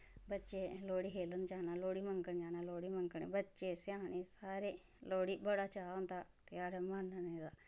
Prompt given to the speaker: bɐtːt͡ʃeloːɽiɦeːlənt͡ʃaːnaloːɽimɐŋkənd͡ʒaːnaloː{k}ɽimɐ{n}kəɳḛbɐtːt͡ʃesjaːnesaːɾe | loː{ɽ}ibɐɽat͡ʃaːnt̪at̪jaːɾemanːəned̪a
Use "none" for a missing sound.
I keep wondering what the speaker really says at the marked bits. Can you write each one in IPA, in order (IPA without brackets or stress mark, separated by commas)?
none, ŋ, ɽ